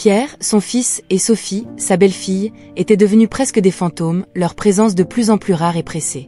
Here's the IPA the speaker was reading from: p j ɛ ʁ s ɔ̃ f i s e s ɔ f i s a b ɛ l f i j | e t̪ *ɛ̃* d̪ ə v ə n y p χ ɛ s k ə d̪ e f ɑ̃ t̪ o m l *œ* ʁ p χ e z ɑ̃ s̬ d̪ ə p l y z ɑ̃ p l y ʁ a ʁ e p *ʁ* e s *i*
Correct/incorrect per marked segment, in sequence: incorrect: ɛ, correct, incorrect: χ, incorrect: e

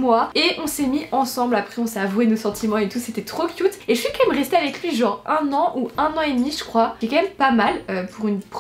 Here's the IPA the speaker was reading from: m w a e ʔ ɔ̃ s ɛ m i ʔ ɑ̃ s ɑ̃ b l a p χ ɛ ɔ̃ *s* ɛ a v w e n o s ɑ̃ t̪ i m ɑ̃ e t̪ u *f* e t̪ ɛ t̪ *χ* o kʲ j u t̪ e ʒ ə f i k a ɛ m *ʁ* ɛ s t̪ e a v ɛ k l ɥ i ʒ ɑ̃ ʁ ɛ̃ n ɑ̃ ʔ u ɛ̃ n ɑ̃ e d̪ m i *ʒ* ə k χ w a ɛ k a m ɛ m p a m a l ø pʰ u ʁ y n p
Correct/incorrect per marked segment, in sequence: correct, incorrect: s, correct, correct, correct

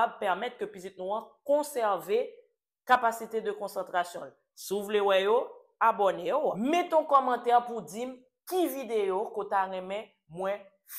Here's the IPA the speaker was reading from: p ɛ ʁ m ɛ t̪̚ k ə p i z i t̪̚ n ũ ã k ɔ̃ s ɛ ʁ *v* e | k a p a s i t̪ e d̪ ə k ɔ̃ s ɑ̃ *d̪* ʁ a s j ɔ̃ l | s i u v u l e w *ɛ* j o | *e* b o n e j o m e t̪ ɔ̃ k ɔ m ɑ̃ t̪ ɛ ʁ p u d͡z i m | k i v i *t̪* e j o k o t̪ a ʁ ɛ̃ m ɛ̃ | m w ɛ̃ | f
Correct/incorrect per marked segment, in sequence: correct, incorrect: t̪, correct, incorrect: a, incorrect: d̪

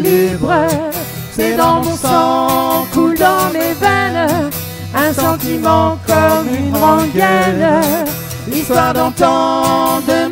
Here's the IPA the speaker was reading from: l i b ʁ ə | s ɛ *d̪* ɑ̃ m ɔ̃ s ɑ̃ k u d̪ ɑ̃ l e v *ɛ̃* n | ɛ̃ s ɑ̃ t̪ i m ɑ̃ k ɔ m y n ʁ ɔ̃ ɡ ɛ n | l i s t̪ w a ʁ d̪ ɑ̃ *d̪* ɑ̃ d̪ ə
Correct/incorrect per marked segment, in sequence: correct, incorrect: ɛ, incorrect: t̪

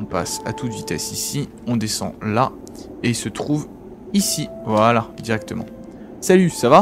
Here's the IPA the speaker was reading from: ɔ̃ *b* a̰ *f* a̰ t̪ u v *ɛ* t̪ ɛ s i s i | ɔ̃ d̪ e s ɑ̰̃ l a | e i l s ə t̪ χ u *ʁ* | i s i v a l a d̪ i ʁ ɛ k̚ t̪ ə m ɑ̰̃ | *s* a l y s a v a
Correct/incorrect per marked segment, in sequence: incorrect: p, incorrect: s, incorrect: i, incorrect: v, correct

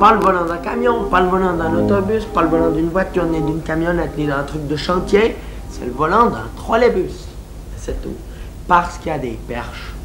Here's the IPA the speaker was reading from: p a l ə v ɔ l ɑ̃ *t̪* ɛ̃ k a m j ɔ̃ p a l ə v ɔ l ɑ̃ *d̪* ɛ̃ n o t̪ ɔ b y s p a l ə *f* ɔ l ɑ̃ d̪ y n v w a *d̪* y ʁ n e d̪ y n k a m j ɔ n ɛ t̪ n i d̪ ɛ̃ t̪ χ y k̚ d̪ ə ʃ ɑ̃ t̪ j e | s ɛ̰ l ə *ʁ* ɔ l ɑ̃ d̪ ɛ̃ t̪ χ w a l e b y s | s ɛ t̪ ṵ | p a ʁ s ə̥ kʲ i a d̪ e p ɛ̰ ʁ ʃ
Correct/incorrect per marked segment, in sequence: incorrect: d̪, correct, incorrect: v, incorrect: t̪, incorrect: v

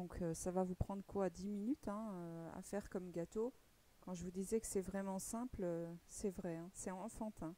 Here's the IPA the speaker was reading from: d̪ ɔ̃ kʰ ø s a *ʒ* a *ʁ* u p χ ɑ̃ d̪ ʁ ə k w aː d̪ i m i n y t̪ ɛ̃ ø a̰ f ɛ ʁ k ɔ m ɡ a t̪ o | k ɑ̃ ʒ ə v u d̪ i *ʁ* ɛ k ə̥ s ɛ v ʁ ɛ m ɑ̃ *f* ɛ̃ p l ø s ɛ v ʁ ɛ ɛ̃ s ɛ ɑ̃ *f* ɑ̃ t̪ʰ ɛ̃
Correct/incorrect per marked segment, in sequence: incorrect: v, incorrect: v, incorrect: z, incorrect: s, correct

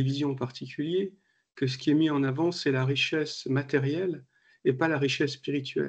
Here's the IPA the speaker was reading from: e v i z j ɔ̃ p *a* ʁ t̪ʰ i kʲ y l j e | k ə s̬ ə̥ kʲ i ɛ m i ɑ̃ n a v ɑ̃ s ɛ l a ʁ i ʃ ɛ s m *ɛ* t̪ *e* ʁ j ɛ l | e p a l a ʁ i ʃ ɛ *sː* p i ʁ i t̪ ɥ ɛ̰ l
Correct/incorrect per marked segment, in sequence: correct, incorrect: a, incorrect: ɛ, correct

